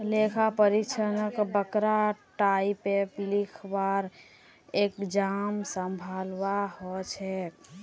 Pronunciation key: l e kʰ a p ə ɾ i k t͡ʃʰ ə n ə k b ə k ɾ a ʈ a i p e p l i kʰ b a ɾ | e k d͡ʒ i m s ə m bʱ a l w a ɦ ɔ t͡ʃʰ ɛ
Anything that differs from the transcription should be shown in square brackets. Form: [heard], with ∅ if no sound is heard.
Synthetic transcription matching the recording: l e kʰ a p ə ɾ i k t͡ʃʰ ə n ə k b ə k ɾ a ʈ a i p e p l i kʰ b a ɾ | e k d͡ʒ [a] m s ə m bʱ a l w a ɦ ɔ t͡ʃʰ ɛ